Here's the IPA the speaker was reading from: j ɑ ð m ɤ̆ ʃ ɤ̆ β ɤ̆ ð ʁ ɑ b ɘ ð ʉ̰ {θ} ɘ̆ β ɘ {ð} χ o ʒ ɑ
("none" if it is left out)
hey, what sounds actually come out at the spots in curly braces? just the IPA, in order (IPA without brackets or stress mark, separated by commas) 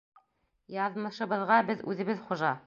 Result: ð, ð